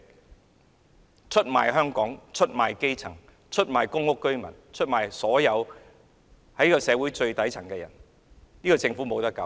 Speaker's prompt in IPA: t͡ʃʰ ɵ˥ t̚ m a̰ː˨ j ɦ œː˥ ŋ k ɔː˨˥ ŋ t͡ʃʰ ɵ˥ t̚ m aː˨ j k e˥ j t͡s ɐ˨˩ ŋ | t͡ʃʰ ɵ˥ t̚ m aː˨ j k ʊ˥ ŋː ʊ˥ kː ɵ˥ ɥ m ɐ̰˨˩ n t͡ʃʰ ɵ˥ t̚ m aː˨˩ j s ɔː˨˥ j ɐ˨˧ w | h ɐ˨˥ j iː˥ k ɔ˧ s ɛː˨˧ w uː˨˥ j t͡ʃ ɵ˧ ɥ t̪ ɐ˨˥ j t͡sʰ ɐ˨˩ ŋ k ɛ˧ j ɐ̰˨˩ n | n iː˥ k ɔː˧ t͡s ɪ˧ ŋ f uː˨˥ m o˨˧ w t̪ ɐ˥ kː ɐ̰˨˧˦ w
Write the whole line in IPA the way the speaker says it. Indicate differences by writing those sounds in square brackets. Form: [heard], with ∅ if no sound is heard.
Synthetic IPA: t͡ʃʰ ɵ˥ t̚ m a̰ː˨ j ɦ œː˥ ŋ k ɔː˨˥ ŋ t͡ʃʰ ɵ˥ t̚ m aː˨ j k e˥ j [t͡sʰ] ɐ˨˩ ŋ | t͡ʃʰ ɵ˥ t̚ m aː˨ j k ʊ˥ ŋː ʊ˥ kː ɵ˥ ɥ m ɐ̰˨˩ n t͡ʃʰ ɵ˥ t̚ m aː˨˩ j s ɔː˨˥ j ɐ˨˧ w | h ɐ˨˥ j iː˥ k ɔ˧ s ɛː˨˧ w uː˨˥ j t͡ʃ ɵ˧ ɥ t̪ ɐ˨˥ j t͡sʰ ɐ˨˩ ŋ k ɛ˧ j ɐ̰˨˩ n | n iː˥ k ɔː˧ t͡s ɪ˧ ŋ f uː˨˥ m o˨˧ w t̪ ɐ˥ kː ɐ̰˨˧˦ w